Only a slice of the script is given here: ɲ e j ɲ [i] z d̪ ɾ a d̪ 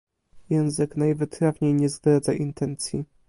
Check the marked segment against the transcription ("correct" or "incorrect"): incorrect